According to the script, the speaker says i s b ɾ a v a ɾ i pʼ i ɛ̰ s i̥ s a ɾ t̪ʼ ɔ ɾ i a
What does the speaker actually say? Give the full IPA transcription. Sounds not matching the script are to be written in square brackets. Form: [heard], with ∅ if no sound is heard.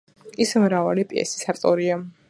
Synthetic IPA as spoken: i s [m] ɾ a v a [l] i pʼ i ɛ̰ s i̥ s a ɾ t̪ʼ ɔ ɾ i a